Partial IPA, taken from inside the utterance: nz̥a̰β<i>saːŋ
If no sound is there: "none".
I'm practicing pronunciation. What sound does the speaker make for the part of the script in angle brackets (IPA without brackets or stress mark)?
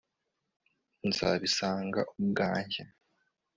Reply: i